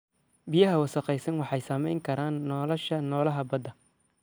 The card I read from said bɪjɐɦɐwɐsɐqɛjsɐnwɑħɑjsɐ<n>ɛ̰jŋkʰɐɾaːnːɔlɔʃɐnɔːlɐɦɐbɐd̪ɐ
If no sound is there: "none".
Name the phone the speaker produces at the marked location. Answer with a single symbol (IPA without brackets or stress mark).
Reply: m